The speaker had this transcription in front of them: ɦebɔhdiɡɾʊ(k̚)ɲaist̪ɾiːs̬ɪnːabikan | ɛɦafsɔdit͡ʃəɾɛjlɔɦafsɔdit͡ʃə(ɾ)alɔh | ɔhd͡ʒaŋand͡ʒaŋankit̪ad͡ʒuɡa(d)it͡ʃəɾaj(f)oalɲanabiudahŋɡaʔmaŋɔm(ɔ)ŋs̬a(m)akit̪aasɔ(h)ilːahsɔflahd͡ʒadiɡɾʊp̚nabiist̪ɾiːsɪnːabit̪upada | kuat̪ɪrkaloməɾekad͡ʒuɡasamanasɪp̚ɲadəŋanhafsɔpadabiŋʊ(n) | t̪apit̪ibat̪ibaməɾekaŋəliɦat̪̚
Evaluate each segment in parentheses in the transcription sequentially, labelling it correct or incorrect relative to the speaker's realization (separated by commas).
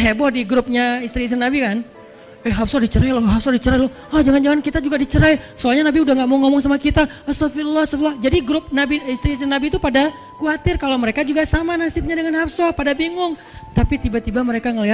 incorrect, correct, correct, incorrect, correct, correct, incorrect, incorrect